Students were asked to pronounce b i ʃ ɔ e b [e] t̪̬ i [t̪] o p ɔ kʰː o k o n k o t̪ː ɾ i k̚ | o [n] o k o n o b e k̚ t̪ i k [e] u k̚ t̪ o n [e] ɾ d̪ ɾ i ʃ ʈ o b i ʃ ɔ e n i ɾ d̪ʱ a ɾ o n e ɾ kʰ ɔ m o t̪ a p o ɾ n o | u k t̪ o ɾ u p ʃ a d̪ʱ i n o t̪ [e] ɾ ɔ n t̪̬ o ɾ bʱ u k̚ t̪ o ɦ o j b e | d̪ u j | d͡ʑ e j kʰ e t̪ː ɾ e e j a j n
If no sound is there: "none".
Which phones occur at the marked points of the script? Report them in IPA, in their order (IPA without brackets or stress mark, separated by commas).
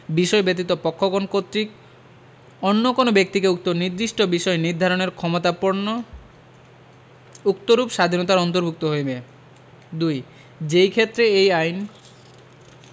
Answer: e, t̪, nː, e, i, a